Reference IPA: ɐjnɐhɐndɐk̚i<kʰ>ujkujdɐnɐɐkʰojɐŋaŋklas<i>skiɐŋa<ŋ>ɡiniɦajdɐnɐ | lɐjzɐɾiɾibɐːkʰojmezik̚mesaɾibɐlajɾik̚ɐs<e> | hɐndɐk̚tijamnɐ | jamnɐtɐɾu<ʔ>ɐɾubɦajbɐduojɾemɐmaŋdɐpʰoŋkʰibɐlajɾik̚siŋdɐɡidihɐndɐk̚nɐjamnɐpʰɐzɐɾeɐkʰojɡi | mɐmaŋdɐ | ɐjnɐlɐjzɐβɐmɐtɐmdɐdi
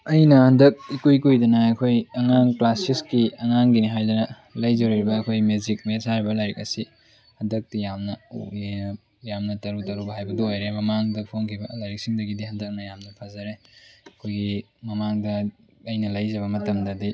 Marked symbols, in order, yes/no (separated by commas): no, yes, yes, no, no